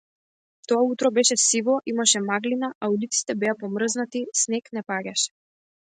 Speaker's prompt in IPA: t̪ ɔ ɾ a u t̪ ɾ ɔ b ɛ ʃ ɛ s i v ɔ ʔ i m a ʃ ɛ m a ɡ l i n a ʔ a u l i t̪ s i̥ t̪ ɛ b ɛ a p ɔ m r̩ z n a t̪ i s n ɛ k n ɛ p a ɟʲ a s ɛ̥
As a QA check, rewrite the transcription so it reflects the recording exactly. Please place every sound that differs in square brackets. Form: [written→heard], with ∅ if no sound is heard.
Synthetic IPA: t̪ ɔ [ɾ→∅] a u t̪ ɾ ɔ b ɛ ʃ ɛ s i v ɔ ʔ i m a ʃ ɛ m a ɡ l i n a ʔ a u l i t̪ s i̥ t̪ ɛ b ɛ a p ɔ m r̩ z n a t̪ i s n ɛ k n ɛ p a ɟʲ a [s→ʃ] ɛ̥